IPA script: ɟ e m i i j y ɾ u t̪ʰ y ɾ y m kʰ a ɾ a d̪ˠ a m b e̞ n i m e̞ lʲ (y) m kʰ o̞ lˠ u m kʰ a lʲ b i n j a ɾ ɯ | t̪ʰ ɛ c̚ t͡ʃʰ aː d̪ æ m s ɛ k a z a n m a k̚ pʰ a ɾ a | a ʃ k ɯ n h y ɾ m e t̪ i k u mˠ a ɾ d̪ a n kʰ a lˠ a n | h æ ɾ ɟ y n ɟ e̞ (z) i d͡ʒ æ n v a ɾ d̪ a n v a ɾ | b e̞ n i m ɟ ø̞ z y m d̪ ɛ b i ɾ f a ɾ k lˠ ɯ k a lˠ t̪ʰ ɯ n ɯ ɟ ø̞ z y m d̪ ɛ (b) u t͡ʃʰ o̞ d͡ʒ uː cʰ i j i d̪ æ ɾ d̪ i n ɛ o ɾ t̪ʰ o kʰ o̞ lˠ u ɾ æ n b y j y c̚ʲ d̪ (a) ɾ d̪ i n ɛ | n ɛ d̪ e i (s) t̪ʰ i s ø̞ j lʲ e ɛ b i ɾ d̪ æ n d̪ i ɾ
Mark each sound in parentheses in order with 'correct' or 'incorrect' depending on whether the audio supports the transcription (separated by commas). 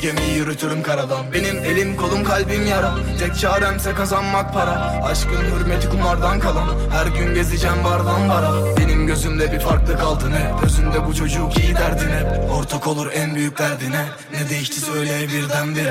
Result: incorrect, correct, correct, incorrect, incorrect